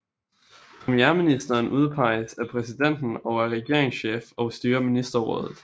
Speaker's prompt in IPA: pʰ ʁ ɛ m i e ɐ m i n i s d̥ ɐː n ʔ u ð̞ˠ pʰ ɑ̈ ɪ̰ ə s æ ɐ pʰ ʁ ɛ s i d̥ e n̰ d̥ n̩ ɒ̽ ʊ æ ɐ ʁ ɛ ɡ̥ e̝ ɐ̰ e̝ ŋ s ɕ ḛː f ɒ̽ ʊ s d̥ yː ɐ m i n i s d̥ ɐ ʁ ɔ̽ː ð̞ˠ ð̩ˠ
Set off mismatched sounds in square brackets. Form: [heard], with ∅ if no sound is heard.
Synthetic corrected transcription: pʰ ʁ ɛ m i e ɐ m i n i s d̥ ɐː n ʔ u ð̞ˠ pʰ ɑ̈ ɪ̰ ə s æ ɐ pʰ ʁ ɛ s i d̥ e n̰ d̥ n̩ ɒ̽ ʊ æ ɐ ʁ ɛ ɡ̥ e̝ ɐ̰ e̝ ŋ s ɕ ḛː f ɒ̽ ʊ s d̥ yː ɐ m i n i s d̥ ɐ ʁ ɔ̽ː ð̞ˠ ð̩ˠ